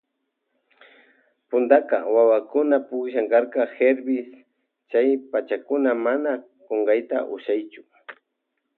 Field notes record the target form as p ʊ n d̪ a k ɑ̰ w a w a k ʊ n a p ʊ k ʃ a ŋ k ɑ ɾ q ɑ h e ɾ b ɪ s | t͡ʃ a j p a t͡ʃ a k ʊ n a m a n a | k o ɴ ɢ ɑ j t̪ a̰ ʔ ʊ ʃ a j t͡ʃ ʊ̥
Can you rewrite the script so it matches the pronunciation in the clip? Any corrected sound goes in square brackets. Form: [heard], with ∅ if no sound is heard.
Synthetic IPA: p ʊ n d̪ a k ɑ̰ w a w a k ʊ n a p ʊ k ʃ a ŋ k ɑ ɾ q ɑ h e ɾ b ɪ s | t͡ʃ a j p a t͡ʃ a k ʊ n a m a n a | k o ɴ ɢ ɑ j t̪ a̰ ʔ ʊ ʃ a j t͡ʃ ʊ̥